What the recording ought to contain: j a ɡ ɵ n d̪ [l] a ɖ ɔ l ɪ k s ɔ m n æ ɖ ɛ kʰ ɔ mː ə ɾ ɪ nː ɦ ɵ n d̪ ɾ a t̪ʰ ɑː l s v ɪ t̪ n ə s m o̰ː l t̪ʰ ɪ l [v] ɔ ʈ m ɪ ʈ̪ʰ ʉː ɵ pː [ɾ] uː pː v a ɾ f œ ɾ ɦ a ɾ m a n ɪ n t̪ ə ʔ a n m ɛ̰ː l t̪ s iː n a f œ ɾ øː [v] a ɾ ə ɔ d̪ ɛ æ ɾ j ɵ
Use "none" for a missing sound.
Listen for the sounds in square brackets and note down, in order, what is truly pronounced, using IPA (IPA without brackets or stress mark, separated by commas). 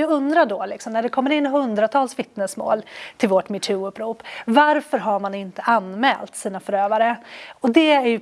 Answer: ɾ, v, ɾ, v